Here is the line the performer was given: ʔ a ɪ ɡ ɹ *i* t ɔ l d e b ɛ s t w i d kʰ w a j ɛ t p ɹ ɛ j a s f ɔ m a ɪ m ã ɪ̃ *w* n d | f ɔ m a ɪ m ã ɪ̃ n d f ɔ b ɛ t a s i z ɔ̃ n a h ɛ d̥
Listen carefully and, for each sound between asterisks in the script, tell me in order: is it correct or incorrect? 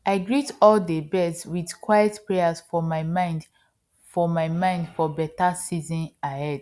correct, incorrect: none

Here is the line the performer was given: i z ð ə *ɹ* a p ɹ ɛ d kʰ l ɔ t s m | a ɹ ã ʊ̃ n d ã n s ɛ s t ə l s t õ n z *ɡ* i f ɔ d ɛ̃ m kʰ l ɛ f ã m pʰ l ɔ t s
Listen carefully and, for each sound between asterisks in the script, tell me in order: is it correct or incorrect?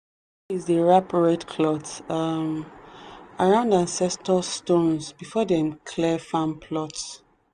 correct, incorrect: b

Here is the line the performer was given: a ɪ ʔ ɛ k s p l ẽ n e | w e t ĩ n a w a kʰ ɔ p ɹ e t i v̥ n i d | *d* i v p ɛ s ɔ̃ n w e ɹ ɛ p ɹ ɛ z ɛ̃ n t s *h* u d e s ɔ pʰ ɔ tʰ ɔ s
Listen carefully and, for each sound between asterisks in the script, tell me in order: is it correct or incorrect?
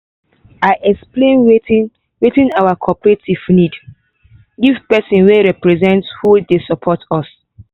incorrect: ɡ, correct

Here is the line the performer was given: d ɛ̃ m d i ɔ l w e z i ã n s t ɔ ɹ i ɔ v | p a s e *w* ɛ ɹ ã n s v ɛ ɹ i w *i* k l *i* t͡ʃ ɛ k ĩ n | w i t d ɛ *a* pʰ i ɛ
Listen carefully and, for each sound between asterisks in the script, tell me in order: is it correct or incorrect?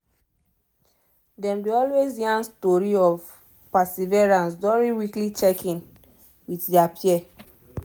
incorrect: v, correct, correct, correct

